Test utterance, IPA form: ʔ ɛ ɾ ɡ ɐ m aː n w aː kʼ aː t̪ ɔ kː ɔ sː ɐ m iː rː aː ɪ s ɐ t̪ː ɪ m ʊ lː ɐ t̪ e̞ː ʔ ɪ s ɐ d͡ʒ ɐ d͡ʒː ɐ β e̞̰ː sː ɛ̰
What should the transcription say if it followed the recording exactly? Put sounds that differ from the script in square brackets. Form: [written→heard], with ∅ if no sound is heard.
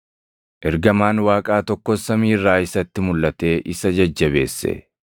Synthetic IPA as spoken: ʔ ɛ ɾ ɡ ɐ m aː n w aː kʼ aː t̪ ɔ kː ɔ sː ɐ m iː rː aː ɪ s ɐ t̪ː ɪ m ʊ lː ɐ t̪ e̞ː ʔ ɪ s ɐ d͡ʒ ɐ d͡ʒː ɐ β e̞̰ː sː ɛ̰